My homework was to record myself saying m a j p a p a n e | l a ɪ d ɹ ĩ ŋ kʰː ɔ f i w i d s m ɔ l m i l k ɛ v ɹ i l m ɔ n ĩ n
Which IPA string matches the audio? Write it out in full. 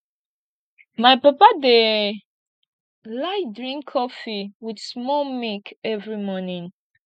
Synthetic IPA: m a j p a p a d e | l a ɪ d ɹ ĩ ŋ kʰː ɔ f i w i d s m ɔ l m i k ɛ v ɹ i m ɔ n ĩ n